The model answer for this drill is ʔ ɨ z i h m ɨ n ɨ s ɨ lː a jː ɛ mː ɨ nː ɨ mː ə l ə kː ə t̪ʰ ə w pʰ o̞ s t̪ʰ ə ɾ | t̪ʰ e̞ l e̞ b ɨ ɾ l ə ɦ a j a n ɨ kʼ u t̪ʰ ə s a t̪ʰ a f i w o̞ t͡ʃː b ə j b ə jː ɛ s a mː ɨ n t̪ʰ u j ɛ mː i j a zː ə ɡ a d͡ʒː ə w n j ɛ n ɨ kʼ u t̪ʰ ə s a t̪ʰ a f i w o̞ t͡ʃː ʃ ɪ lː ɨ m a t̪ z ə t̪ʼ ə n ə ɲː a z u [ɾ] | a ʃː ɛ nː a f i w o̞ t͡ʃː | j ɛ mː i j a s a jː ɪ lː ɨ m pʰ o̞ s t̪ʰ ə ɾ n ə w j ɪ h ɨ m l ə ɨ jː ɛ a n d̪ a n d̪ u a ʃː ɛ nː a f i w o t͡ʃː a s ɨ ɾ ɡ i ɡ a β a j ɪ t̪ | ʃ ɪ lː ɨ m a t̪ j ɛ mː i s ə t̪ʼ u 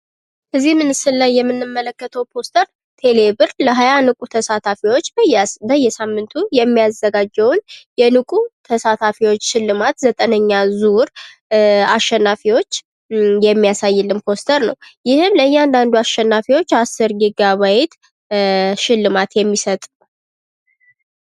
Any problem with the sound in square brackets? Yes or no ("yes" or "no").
no